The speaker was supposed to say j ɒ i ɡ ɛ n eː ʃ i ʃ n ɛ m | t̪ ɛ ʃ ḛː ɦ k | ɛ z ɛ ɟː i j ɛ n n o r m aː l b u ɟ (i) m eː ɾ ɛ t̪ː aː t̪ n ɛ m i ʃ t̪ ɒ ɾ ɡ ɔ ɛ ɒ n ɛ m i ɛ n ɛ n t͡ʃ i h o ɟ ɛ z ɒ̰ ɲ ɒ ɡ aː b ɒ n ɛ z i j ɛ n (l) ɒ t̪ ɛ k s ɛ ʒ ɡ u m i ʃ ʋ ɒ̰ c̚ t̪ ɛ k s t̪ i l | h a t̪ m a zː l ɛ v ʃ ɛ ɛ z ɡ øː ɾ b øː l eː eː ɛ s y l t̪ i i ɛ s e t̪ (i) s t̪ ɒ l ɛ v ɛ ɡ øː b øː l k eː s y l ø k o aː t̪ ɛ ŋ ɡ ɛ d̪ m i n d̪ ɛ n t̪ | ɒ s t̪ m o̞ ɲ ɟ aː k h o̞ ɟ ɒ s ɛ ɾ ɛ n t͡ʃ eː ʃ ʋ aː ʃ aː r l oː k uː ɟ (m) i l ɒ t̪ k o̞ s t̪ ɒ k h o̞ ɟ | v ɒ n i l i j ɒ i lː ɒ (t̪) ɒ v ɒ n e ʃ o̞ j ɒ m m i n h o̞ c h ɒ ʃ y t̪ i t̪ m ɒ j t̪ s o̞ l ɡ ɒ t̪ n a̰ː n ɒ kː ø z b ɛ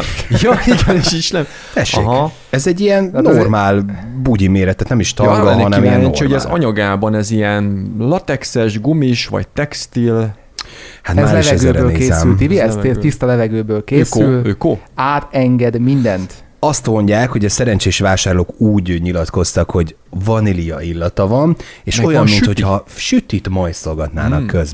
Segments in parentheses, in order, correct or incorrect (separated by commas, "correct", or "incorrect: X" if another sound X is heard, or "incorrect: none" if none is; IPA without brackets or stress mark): correct, correct, correct, incorrect: ɲ, correct